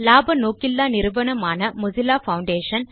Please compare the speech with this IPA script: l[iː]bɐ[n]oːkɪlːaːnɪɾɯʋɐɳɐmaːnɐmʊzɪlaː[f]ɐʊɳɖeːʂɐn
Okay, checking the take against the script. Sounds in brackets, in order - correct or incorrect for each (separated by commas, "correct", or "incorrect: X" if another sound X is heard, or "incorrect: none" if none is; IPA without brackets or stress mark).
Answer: incorrect: aː, correct, correct